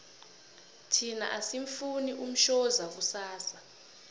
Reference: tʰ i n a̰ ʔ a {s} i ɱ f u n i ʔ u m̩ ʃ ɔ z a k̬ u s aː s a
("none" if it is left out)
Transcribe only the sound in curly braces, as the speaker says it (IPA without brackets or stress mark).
s